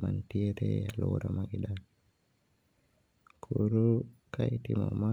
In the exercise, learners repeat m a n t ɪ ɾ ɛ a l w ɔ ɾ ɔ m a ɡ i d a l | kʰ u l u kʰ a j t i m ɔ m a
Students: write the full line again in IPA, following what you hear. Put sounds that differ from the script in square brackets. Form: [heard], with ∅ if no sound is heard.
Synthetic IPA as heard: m a n t [i] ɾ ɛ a l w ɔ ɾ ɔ m a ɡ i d a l | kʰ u [ɾ] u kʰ a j t i m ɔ m a